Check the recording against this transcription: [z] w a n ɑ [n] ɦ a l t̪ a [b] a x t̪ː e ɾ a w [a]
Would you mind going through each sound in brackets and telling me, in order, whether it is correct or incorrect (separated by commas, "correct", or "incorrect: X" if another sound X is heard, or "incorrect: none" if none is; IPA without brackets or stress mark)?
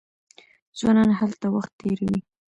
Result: correct, correct, incorrect: w, incorrect: i